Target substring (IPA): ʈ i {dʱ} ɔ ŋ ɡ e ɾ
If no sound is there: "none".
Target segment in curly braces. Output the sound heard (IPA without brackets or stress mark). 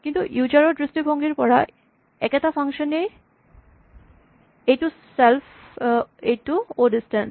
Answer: bʱ